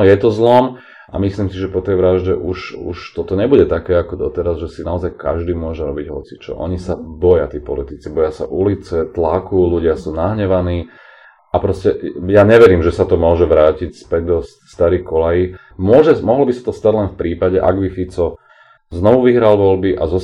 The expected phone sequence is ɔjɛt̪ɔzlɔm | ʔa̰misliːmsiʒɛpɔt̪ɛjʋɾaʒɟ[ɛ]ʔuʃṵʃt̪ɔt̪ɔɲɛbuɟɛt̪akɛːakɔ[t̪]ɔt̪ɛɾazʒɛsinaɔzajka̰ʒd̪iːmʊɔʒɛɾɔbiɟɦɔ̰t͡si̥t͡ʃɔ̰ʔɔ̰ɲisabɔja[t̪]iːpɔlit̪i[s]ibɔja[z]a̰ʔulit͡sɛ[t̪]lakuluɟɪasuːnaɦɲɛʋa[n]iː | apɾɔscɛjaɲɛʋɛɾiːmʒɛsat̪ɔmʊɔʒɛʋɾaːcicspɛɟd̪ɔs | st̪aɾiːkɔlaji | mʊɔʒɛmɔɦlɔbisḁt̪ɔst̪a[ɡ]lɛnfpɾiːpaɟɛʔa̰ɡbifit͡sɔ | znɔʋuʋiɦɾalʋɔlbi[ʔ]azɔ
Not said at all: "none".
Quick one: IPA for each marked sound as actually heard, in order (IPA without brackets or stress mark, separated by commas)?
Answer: ɛ, d̪, t̪, t͡s, s, t̪, n, ɟ, ʔ